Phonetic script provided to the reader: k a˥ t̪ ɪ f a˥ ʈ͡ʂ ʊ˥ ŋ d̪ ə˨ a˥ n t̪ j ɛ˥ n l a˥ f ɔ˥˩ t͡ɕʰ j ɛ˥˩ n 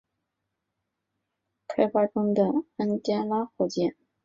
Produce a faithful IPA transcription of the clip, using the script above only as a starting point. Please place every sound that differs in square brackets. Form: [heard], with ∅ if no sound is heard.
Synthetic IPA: [kʰ] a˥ [∅] ɪ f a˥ ʈ͡ʂ ʊ˥ ŋ d̪ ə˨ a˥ n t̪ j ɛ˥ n l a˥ [x] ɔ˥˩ [t͡ɕ] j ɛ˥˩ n